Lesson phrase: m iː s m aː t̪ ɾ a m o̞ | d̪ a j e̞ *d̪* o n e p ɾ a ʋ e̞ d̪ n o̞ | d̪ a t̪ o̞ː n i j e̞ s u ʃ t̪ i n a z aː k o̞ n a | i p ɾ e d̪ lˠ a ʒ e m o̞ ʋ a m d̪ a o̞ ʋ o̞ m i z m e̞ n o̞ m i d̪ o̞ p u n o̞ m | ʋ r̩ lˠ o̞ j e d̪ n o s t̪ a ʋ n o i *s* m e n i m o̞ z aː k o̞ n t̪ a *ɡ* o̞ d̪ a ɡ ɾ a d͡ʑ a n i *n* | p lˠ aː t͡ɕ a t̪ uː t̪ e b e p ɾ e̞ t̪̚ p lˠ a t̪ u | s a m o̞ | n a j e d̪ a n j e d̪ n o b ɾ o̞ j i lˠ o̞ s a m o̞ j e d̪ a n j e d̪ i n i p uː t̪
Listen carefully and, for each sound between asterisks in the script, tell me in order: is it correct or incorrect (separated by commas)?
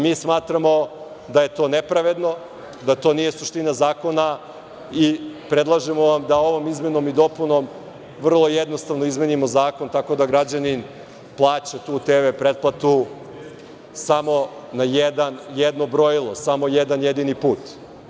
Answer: incorrect, incorrect, incorrect, correct